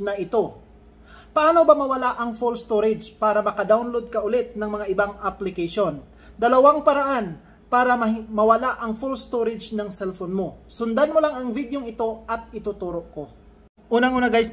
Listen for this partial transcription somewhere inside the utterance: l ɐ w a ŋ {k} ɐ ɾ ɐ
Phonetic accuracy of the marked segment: incorrect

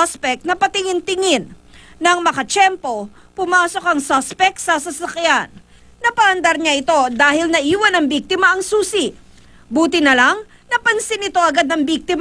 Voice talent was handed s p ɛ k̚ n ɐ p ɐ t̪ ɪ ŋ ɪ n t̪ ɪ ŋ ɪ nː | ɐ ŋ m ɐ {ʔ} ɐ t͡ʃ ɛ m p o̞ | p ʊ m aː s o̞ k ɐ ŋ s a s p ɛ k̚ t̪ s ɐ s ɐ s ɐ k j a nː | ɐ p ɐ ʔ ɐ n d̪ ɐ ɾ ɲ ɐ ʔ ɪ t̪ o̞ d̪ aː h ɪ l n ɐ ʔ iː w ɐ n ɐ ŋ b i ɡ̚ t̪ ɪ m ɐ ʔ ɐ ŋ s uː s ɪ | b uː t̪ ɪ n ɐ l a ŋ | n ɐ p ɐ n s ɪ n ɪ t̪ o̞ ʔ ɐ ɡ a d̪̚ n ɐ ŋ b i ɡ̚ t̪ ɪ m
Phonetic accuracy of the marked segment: incorrect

